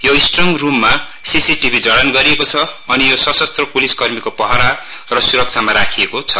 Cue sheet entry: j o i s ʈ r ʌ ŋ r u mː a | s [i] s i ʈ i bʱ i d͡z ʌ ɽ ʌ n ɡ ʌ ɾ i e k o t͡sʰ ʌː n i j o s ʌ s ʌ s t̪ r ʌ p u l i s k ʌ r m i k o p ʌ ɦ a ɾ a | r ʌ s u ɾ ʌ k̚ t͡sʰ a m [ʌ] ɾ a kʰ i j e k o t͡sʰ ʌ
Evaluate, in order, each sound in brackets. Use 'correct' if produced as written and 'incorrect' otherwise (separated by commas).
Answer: correct, incorrect